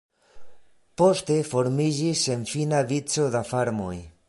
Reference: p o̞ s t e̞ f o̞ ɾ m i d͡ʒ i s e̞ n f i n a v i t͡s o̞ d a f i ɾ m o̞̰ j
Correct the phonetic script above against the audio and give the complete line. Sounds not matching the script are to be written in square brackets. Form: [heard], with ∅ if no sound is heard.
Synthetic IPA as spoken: p o̞ s t e̞ f o̞ ɾ m i d͡ʒ i s e̞ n f i n a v i t͡s o̞ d a f [a] ɾ m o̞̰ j

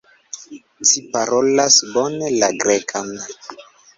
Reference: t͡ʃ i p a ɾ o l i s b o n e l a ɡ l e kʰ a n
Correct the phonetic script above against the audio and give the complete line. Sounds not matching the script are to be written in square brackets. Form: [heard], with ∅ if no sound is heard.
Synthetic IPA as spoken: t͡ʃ i p a ɾ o l [a] s b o n e l a ɡ [ɾ] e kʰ a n

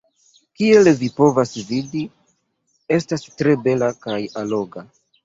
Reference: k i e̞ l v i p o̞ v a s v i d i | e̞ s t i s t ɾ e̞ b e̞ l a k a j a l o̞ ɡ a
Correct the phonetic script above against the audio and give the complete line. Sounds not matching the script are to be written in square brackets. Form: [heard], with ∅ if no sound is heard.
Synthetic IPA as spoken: k i e̞ l v i p o̞ v a s v i d i | e̞ s t [a] s t ɾ e̞ b e̞ l a k a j a l o̞ ɡ a

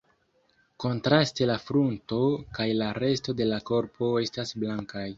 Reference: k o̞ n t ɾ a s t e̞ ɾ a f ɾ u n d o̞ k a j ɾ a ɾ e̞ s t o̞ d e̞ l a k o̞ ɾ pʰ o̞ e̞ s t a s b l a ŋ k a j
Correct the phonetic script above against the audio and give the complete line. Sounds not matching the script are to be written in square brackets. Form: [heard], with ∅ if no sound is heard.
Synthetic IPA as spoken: k o̞ n t ɾ a s t e̞ [l] a f ɾ u n [t] o̞ k a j [l] a ɾ e̞ s t o̞ d e̞ l a k o̞ ɾ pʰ o̞ e̞ s t a s b l a ŋ k a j

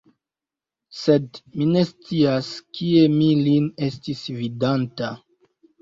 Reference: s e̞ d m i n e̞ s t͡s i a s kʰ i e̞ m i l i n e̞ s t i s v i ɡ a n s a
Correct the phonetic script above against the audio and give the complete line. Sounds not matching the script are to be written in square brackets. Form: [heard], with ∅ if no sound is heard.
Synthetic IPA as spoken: s e̞ d m i n e̞ s t͡s i a s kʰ i e̞ m i l i n e̞ s t i s v i [d] a n [t] a

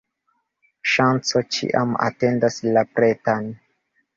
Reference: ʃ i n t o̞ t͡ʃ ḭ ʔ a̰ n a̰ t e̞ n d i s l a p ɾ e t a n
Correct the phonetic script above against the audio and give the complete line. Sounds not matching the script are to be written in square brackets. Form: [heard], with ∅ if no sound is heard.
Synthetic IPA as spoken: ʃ [a] n [t͡s] o̞ t͡ʃ ḭ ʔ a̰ [m] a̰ t e̞ n d [a] s l a p ɾ e t a n

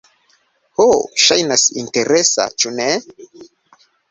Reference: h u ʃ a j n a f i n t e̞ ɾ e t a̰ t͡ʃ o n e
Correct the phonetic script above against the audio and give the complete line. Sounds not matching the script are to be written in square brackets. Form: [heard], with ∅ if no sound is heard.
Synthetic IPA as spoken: h [o] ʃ a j n a [s] i n t e̞ ɾ e [s] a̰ t͡ʃ [u] n e

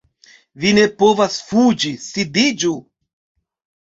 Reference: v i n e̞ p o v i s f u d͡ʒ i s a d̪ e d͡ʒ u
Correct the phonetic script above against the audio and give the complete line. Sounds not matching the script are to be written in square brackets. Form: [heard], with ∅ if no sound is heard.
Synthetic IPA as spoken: v i n e̞ p o v [a] s f u d͡ʒ i s [i] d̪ [i] d͡ʒ u

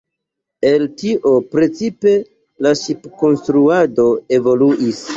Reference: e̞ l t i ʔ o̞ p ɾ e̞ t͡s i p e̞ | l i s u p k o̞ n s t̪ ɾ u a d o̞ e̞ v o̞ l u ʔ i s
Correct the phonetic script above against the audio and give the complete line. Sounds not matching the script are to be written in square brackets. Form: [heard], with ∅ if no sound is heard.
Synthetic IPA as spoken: e̞ l t i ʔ o̞ p ɾ e̞ t͡s i p e̞ | l [a] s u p k o̞ n s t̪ ɾ u a d o̞ e̞ v o̞ l u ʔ i s

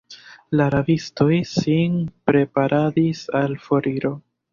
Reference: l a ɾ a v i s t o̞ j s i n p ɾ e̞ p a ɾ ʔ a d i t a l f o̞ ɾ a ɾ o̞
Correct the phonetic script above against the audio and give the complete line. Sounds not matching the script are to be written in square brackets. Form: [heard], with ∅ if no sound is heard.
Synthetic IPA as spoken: l a ɾ a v i s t o̞ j s i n p ɾ e̞ p a ɾ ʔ a d i [s] a l f o̞ ɾ [i] ɾ o̞

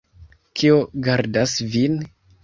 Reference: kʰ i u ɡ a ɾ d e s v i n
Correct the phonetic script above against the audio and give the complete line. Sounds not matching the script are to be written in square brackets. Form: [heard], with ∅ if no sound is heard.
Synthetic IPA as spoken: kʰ i [o] ɡ a ɾ d [a] s v i n

